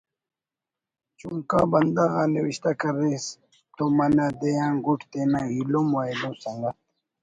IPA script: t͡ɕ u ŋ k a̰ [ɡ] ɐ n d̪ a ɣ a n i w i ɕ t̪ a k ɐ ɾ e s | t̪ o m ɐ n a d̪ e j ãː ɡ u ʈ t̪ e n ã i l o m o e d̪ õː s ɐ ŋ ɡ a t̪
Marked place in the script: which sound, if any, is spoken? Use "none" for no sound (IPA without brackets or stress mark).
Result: b